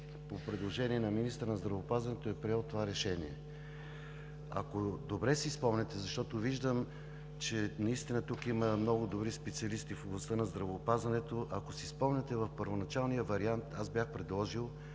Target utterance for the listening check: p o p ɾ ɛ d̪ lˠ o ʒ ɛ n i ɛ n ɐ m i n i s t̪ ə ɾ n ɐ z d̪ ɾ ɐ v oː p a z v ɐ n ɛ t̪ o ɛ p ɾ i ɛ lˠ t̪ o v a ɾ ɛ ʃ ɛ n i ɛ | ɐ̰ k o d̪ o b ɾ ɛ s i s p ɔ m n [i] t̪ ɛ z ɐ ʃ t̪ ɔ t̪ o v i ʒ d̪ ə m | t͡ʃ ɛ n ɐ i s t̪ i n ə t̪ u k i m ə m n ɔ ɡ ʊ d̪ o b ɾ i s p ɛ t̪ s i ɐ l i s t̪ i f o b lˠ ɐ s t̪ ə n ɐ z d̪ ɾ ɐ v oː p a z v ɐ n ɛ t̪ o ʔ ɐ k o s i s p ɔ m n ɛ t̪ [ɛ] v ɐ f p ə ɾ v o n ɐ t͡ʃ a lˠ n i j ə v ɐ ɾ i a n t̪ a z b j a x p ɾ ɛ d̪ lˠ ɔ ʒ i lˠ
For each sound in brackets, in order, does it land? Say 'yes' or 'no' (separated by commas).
no, yes